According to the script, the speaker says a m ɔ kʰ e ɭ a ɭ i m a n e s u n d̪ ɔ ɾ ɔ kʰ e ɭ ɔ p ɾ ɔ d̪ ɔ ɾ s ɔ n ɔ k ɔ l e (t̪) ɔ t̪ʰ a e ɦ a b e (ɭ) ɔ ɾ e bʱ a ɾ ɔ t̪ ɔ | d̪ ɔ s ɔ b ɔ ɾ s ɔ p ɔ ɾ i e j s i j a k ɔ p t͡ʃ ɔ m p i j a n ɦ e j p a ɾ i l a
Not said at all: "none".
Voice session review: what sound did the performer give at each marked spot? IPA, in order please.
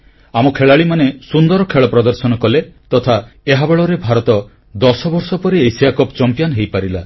t̪, ɭ

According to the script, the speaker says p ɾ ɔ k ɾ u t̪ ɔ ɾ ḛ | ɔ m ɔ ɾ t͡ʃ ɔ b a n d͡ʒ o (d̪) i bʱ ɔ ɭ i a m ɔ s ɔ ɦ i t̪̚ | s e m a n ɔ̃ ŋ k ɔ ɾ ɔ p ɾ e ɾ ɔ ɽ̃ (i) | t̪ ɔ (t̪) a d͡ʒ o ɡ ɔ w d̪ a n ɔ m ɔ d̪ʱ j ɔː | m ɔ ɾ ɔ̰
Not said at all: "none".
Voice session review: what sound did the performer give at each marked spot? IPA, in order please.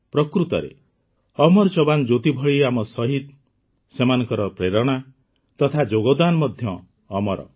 t̪, a, t̪ʰ

